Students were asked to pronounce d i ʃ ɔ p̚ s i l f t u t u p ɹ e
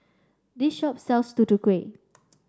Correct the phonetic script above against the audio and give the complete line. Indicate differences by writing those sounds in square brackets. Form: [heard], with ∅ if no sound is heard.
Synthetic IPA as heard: d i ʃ ɔ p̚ s [ɛ] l [s] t u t u [k] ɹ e

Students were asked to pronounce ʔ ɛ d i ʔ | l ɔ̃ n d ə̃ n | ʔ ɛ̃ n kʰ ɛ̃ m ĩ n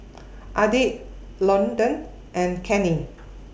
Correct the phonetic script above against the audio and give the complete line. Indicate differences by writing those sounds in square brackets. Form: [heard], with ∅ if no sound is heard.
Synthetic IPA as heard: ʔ [a] d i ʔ | l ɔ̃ n d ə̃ n | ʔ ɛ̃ n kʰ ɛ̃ [n] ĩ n

